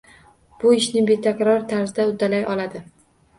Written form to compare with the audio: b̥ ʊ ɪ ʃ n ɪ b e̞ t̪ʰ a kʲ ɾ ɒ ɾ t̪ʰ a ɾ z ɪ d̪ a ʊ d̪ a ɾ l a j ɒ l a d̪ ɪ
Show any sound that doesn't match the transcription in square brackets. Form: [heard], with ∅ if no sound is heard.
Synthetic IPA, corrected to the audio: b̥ ʊ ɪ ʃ n ɪ b e̞ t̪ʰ a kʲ ɾ ɒ ɾ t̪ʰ a ɾ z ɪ d̪ a ʊ d̪ a [∅] l a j ɒ l a d̪ ɪ